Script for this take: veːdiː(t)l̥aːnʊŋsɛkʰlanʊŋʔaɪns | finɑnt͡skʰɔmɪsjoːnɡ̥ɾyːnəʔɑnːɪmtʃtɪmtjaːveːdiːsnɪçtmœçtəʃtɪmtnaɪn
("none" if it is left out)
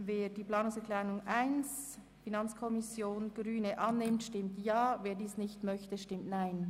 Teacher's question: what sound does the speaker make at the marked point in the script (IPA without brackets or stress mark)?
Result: p